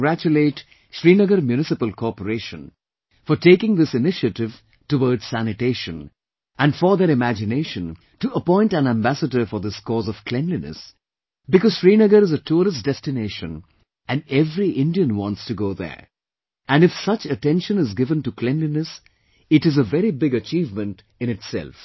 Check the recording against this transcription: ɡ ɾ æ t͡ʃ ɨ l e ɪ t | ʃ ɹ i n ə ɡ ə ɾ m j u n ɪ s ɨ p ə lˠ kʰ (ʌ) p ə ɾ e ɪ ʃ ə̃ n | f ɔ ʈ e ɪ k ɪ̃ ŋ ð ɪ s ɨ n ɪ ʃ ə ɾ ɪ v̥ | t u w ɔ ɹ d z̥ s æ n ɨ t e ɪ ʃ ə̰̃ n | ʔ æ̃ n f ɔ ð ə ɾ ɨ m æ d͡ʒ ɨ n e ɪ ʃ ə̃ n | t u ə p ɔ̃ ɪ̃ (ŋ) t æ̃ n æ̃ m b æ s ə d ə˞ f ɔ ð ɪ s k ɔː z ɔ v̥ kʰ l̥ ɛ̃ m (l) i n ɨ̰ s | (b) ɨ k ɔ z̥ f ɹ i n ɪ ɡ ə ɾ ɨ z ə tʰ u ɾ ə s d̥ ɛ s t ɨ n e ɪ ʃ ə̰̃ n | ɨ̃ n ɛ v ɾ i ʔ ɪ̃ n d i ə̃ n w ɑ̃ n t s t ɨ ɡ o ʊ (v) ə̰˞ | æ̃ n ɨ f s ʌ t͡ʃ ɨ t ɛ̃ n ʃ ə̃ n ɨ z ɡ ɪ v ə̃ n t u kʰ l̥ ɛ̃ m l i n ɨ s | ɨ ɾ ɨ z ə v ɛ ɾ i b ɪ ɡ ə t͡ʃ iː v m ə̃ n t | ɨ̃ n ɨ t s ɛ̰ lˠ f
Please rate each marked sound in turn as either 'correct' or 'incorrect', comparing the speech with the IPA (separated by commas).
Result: incorrect, incorrect, correct, correct, incorrect